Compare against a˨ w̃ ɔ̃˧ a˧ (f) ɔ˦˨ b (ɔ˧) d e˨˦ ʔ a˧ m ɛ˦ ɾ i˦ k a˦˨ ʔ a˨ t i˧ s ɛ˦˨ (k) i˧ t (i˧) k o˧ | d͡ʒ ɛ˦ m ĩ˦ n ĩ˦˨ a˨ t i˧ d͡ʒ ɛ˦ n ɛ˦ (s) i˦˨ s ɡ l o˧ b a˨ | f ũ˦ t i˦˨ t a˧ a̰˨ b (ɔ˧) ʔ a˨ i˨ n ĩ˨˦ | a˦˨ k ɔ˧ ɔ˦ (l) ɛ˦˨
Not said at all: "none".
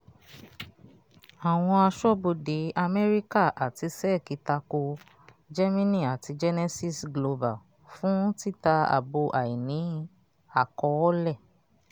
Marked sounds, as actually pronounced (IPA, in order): ʃ, o˧, k, a˧, s, o˧, l

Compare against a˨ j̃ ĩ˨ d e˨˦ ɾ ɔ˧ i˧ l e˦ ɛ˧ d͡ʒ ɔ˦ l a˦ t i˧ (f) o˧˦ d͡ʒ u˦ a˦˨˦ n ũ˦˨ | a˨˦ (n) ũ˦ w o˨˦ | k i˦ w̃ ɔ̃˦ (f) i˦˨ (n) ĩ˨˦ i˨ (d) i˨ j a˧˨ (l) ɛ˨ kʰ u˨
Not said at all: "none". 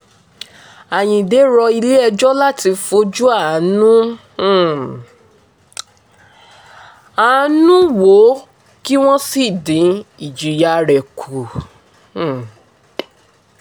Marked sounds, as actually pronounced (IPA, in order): f, n, s, d, d͡ʒ, ɾ

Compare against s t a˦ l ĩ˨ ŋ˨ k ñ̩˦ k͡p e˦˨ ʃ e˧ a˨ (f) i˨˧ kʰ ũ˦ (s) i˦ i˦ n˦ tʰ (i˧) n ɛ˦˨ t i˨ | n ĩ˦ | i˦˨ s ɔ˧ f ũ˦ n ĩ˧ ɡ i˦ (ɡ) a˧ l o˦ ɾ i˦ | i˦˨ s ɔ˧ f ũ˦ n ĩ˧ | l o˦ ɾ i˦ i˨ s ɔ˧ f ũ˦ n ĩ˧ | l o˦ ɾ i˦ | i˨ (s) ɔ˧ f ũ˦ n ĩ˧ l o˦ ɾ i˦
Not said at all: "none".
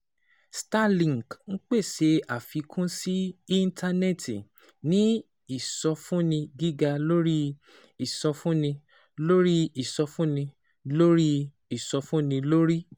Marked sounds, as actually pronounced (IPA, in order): f, s, a˧, ɡ, s

